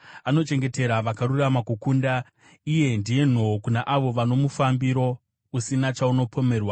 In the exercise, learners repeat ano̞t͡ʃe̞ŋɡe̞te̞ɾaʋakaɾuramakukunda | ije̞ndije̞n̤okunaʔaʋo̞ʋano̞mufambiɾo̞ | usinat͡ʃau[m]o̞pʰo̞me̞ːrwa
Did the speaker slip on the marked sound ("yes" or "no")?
yes